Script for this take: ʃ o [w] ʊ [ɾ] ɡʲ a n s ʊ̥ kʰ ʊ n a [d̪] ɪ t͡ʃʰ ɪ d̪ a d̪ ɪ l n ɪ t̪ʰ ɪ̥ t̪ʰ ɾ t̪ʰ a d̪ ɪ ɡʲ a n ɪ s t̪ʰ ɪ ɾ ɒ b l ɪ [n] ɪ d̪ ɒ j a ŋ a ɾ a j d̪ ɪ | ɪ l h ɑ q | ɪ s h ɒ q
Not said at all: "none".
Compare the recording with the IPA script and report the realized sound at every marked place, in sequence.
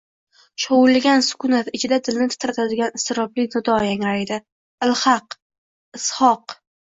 w, l, t̪, n

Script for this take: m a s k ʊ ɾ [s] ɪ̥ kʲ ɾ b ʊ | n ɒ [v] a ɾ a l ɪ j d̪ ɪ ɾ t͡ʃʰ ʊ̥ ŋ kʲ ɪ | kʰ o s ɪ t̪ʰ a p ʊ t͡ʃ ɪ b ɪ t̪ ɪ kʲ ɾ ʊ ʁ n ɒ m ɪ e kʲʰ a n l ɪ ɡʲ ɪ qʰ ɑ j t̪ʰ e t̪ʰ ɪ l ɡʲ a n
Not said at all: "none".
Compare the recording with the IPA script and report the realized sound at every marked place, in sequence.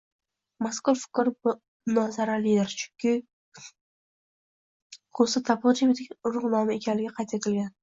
f, z

